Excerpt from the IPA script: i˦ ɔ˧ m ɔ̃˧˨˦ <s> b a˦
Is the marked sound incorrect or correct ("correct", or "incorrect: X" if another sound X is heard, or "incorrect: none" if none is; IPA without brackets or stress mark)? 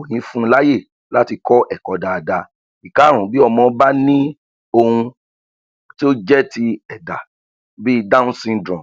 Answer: incorrect: none